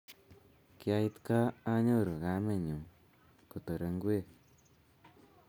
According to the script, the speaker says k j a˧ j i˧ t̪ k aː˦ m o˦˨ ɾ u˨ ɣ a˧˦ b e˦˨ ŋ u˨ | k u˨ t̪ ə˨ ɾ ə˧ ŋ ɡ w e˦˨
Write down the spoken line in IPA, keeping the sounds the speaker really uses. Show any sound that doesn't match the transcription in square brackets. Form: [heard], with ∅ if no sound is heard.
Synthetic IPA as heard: k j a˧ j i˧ t̪ k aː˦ [ɲ] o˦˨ ɾ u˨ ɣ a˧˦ [m] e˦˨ [ɲ] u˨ | k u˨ t̪ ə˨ ɾ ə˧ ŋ ɡ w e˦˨